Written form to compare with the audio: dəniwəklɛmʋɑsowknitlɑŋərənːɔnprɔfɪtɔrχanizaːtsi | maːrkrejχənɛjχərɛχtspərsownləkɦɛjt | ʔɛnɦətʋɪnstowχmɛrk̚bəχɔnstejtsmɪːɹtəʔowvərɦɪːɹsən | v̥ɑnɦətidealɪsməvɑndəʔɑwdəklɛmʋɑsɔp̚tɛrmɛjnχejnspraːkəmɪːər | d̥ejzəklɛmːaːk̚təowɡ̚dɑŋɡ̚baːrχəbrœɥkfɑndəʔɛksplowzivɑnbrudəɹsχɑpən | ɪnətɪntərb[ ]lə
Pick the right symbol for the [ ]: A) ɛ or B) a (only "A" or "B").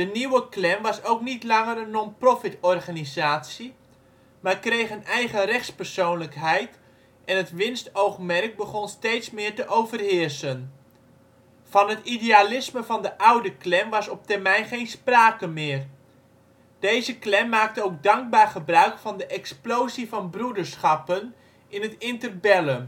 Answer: A